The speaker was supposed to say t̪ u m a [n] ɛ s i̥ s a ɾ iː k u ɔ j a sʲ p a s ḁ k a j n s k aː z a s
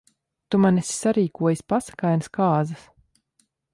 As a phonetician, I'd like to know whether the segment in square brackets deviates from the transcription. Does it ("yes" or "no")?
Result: no